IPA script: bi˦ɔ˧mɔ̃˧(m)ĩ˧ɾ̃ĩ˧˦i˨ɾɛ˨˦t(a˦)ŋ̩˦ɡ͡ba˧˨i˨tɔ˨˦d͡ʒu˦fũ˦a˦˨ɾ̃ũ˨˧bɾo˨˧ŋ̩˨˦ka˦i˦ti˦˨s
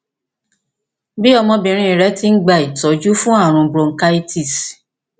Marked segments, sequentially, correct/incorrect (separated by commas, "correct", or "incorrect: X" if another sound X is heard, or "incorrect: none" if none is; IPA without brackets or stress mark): incorrect: b, incorrect: i˦